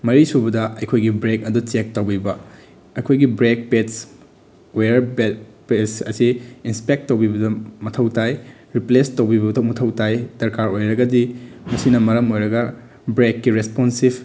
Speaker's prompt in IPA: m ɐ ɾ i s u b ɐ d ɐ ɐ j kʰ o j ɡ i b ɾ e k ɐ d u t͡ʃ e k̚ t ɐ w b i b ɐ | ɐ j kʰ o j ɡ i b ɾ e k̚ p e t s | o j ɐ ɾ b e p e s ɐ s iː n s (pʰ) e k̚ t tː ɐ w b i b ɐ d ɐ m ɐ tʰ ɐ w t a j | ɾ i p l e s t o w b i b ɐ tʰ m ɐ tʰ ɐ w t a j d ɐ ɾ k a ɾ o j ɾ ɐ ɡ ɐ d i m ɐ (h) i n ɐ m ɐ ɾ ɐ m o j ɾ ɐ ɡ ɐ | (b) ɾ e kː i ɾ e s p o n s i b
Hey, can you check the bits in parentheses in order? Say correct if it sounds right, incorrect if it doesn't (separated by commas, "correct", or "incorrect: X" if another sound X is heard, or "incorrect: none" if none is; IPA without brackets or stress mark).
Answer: incorrect: p, incorrect: s, correct